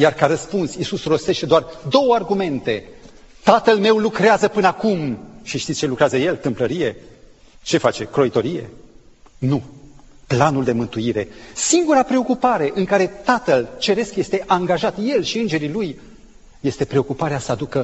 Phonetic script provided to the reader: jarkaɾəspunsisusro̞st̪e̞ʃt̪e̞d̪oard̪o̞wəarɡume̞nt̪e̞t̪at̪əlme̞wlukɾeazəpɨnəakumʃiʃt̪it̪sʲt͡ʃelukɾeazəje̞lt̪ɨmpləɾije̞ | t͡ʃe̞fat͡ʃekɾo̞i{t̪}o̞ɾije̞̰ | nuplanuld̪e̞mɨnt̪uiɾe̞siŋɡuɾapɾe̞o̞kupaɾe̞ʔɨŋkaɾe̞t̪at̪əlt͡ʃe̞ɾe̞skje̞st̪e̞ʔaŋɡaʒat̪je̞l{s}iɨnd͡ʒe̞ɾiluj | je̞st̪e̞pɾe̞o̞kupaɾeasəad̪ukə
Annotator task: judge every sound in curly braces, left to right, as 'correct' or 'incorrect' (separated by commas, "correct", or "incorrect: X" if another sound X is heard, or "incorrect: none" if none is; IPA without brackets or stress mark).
correct, incorrect: ʃ